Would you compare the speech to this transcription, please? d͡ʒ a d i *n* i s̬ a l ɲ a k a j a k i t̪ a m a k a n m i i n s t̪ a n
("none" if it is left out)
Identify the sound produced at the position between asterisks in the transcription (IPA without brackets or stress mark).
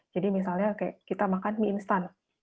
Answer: m